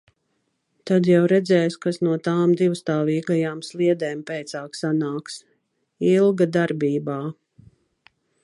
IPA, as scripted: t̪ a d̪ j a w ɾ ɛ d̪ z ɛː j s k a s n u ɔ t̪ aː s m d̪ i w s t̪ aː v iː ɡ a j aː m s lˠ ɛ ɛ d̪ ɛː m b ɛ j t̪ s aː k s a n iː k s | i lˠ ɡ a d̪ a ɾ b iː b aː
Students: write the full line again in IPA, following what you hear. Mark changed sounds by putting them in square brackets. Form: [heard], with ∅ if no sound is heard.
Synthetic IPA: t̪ a d̪ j a w ɾ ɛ d̪ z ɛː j s k a s n u ɔ t̪ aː [∅] m d̪ i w s t̪ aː v iː ɡ a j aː m s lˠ [i] ɛ d̪ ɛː m [p] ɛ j t̪ s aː k s a n [aː] k s | i lˠ ɡ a d̪ a ɾ b iː b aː

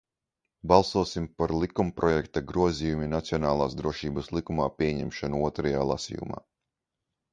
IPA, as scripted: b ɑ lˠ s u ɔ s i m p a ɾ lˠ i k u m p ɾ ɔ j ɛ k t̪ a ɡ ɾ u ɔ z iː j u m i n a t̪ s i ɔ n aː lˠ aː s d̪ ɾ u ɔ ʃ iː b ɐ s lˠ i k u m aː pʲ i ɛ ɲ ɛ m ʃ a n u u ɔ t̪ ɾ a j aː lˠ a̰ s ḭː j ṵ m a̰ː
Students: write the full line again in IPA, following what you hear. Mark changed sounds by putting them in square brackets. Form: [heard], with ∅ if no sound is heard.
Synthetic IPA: b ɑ lˠ s u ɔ s i m p a ɾ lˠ i k u m p ɾ ɔ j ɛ k t̪ a ɡ ɾ u ɔ z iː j u m i n a t̪ s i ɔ n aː lˠ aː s d̪ ɾ u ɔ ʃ iː b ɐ s lˠ i k u m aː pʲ i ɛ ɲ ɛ m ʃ a n u u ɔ t̪ ɾ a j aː lˠ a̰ s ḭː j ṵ m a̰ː

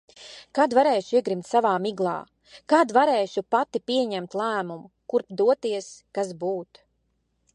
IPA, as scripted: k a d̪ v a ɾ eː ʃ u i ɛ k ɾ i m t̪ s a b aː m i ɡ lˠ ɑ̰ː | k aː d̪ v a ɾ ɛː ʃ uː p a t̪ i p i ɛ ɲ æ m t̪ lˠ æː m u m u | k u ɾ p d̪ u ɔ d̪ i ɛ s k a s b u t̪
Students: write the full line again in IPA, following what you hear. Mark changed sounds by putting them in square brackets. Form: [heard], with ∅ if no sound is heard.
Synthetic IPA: k a d̪ v a ɾ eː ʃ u i ɛ [ɡ] ɾ i m t̪ s a [v] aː m i ɡ lˠ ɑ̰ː | k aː d̪ v a ɾ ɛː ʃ [u] p a t̪ i p i ɛ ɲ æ m t̪ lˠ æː m u m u | k u ɾ p d̪ u ɔ [t̪] i ɛ s k a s b [uː] t̪

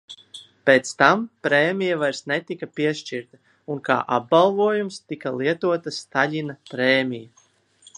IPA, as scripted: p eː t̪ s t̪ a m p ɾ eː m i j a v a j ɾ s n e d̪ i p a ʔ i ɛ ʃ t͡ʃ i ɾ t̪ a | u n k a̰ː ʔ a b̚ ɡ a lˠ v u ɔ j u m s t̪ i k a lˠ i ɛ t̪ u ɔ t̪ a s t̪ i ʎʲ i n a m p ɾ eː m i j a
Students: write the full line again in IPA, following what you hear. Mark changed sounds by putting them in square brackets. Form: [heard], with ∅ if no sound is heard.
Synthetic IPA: p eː t̪ s t̪ a m p ɾ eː m i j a v a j ɾ s n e [t̪] i [k] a [p] i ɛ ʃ t͡ʃ i ɾ t̪ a | u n k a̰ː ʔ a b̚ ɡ a lˠ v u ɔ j u m s t̪ i k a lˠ i ɛ t̪ u ɔ t̪ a s t̪ [a] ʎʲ i n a [∅] p ɾ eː m i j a

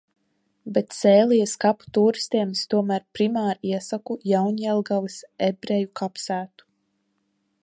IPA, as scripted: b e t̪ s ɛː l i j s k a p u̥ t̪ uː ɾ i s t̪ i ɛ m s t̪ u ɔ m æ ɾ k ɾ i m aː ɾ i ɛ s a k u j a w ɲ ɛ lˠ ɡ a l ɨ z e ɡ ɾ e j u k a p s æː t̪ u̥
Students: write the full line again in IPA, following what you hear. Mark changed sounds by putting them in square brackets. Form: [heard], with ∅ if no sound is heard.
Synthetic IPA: b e t̪ s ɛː l i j s k a p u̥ t̪ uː ɾ i s t̪ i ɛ m s t̪ u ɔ m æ ɾ [p] ɾ i m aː ɾ i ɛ s a k u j a w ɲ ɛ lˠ ɡ a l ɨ [s] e [b] ɾ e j u k a p s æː t̪ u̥

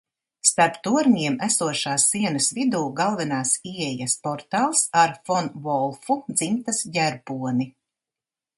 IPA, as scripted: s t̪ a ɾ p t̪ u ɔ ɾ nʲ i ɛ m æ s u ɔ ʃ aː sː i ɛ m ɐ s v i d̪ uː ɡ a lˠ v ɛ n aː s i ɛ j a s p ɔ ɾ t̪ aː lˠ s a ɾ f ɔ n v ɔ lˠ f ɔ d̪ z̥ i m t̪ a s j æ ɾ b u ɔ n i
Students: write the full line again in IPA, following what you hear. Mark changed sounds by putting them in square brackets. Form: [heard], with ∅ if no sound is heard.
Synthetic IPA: s t̪ a ɾ p t̪ u ɔ ɾ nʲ i ɛ m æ s u ɔ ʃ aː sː i ɛ [n] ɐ s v i d̪ uː ɡ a lˠ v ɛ n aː s i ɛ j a s p ɔ ɾ t̪ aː lˠ s a ɾ f ɔ n v ɔ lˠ f [u] d̪ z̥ i m t̪ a s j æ ɾ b u ɔ n i

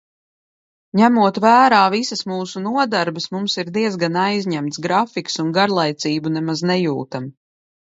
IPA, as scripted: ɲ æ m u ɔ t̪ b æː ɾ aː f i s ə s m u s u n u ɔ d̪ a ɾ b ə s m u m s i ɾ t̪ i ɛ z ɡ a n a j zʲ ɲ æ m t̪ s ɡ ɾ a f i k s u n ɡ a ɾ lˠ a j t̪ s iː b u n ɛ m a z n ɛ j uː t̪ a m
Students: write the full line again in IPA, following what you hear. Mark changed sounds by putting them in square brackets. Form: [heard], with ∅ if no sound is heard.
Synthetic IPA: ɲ æ m u ɔ t̪ [v] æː ɾ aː [v] i s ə s m [uː] s u n u ɔ d̪ a ɾ b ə s m u m s i ɾ [d̪] i ɛ z ɡ a n a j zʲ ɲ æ m t̪ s ɡ ɾ a f i k s u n ɡ a ɾ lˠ a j t̪ s iː b u n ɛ m a z n ɛ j uː t̪ a m

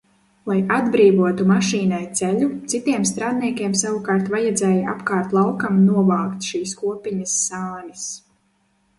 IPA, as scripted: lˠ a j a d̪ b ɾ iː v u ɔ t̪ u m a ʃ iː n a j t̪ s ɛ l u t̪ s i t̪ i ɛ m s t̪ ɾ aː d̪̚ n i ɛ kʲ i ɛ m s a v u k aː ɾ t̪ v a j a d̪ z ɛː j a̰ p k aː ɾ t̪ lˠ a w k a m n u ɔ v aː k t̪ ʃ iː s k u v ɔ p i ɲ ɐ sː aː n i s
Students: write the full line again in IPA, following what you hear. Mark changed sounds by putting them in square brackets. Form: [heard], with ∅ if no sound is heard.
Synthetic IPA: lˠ a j a d̪ b ɾ iː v u ɔ t̪ u m a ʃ iː n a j t̪ s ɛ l u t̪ s i t̪ i ɛ m s t̪ ɾ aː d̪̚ n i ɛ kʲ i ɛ m s a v u k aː ɾ t̪ v a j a d̪ z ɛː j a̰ p k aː ɾ t̪ lˠ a w k a m n u ɔ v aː k t̪ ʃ iː s k u [∅] ɔ p i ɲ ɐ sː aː n i s

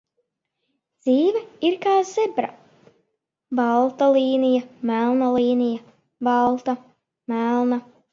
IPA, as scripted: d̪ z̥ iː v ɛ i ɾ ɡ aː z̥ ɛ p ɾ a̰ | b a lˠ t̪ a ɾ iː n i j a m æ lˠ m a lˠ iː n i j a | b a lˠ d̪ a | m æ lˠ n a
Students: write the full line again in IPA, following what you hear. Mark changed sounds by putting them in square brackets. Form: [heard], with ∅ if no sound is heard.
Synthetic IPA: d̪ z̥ iː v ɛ i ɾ [k] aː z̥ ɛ [b] ɾ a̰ | b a lˠ t̪ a [l] iː n i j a m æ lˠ [n] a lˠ iː n i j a | b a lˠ [t̪] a | m æ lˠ n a

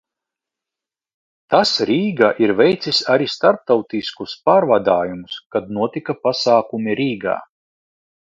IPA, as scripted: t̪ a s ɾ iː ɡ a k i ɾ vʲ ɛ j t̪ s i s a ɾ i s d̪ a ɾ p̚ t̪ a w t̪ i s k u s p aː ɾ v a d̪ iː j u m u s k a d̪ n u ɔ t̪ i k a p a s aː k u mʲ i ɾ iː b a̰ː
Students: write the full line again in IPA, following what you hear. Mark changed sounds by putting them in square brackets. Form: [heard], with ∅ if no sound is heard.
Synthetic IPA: t̪ a s ɾ iː ɡ a [ʔ] i ɾ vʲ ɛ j t̪ s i s a ɾ i s [t̪] a ɾ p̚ t̪ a w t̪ i s k u s p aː ɾ v a d̪ [aː] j u m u s k a d̪ n u ɔ t̪ i k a p a s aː k u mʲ i ɾ iː [ɡ] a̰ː

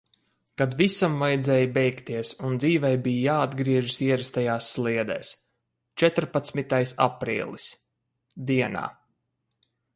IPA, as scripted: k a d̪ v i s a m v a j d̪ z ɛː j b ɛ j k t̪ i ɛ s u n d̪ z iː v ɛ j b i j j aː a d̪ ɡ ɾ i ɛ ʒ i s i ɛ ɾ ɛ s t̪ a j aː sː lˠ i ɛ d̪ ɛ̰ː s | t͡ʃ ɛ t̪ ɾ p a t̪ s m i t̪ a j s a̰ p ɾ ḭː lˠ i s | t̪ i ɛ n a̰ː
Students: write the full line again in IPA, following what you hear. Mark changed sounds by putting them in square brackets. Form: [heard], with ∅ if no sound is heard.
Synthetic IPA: k a d̪ v i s a m v a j d̪ z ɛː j b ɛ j k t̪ i ɛ s u n d̪ z iː v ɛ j b i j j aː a d̪ ɡ ɾ i ɛ ʒ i s i ɛ ɾ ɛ s t̪ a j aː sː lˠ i ɛ d̪ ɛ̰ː s | t͡ʃ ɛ t̪ ɾ p a t̪ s m i t̪ a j s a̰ p ɾ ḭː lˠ i s | [d̪] i ɛ n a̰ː

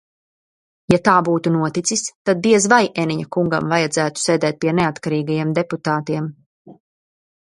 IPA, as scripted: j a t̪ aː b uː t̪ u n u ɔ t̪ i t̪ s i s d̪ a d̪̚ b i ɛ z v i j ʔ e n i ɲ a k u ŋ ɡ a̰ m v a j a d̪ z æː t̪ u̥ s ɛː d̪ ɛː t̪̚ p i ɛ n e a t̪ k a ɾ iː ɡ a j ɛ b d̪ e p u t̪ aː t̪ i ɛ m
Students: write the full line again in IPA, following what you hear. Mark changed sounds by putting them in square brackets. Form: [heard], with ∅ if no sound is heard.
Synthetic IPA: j a t̪ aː b uː t̪ u n u ɔ t̪ i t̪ s i s [t̪] a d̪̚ b i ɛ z v [a] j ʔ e n i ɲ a k u ŋ ɡ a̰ m v a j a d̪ z æː t̪ u̥ s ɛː d̪ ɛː t̪̚ p i ɛ n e a t̪ k a ɾ iː ɡ a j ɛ [m] d̪ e p u t̪ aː t̪ i ɛ m

